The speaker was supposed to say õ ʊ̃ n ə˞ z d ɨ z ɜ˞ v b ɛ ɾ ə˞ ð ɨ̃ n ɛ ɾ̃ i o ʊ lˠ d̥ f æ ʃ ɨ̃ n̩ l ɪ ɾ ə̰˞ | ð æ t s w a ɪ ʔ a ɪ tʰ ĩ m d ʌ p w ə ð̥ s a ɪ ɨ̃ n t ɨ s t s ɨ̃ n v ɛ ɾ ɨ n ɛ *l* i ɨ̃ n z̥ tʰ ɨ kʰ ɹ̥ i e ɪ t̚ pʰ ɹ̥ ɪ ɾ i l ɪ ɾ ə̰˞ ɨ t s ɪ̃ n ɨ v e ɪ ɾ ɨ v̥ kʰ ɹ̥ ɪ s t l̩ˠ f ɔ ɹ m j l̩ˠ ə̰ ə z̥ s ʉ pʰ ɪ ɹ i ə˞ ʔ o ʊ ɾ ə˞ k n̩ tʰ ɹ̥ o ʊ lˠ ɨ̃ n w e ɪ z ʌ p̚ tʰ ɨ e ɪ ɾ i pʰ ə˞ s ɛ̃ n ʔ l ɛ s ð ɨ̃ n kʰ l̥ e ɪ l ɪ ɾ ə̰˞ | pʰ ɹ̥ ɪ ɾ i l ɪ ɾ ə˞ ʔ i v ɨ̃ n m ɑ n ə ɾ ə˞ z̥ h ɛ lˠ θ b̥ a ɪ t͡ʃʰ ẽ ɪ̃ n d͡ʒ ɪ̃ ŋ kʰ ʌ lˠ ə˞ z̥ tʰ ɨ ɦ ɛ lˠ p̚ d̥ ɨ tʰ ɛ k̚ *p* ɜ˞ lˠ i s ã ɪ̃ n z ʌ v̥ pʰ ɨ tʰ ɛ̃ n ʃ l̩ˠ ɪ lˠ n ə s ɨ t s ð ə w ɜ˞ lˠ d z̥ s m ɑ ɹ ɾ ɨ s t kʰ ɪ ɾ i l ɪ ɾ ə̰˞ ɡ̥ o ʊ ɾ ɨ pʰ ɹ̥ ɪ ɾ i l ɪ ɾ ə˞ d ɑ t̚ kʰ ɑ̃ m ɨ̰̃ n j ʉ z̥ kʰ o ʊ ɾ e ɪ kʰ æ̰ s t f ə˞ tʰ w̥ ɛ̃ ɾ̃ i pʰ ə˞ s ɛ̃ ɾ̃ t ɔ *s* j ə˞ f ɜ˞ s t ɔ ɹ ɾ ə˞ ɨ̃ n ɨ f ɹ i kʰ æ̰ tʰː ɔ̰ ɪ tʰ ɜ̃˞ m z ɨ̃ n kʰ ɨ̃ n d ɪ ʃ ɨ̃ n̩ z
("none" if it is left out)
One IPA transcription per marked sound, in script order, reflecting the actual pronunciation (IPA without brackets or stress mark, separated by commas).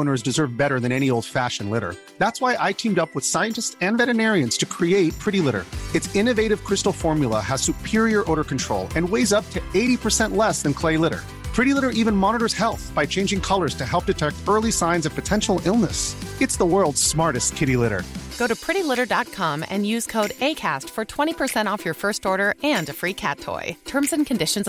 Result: ɹ, t, f